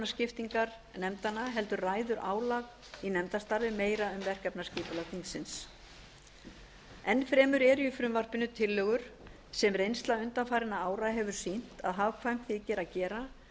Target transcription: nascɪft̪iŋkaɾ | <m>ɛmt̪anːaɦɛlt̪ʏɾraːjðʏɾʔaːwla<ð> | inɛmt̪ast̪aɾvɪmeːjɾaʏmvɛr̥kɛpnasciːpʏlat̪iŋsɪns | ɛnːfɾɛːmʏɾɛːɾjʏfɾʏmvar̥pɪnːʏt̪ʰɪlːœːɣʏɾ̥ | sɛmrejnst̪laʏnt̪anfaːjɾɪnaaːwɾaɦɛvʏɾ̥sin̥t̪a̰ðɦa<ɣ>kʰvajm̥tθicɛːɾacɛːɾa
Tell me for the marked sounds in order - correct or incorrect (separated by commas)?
incorrect, incorrect, incorrect